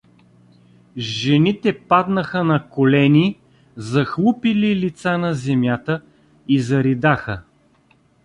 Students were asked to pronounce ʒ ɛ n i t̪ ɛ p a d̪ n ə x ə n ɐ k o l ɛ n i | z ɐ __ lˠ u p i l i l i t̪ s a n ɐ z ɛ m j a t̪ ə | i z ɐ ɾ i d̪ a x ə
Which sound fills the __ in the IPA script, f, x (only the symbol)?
x